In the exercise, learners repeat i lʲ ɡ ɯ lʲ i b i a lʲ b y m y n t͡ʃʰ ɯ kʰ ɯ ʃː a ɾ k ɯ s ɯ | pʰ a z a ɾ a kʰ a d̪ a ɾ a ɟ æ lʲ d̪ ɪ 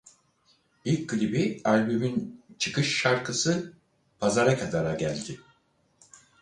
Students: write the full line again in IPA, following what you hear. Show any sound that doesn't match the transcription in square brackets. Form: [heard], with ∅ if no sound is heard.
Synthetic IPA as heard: i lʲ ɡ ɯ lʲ i b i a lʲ b y m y n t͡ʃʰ ɯ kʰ ɯ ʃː a ɾ k ɯ s ɯ | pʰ a z a ɾ a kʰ a d̪ a ɾ a ɟ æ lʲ d̪ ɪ